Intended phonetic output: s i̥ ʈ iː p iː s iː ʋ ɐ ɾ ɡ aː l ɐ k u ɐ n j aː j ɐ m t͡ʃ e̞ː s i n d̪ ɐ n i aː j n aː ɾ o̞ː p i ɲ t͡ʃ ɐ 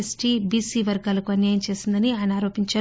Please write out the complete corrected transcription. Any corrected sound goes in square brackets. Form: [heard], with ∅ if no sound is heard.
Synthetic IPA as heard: s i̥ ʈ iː [b] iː s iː ʋ ɐ ɾ ɡ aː l ɐ k u ɐ n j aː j ɐ m t͡ʃ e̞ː s i n d̪ ɐ n i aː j n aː ɾ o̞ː p i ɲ t͡ʃ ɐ